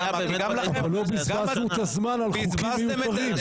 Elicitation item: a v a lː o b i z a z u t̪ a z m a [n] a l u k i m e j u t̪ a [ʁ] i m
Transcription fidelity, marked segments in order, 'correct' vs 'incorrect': correct, correct

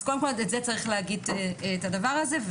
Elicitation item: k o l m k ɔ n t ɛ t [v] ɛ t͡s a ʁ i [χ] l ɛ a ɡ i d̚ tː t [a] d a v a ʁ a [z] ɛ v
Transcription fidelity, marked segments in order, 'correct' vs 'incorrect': incorrect: z, correct, correct, correct

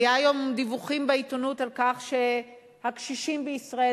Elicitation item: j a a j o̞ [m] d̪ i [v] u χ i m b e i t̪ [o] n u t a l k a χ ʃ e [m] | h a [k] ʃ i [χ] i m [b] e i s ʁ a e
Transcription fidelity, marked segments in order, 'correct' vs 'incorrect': correct, correct, correct, incorrect: none, correct, incorrect: ʃ, correct

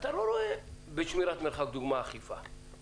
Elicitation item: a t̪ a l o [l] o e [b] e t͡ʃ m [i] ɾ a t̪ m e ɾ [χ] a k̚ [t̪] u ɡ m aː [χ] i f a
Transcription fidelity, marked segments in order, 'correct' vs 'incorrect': incorrect: ɾ, correct, correct, correct, incorrect: d̪, correct

